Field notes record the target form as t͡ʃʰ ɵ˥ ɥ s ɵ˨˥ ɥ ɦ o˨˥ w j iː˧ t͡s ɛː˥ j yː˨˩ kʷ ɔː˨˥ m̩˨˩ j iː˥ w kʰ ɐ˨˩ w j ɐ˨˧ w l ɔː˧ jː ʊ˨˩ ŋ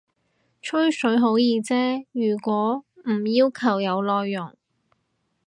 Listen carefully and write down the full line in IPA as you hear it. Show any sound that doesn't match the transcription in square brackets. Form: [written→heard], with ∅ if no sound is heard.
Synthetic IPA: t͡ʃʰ ɵ˥ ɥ s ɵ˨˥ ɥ ɦ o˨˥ w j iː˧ t͡s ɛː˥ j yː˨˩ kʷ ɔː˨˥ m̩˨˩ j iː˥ w kʰ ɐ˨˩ w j ɐ˨˧ w l ɔː˧ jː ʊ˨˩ ŋ